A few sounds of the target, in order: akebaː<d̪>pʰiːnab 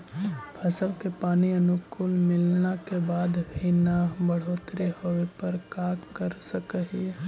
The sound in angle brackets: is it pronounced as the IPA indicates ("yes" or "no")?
yes